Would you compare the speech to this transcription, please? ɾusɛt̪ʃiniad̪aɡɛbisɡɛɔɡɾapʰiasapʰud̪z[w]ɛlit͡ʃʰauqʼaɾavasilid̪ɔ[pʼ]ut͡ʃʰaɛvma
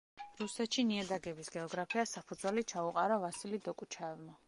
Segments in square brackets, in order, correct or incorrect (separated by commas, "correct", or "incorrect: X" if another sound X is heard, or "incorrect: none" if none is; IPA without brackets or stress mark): correct, incorrect: kʼ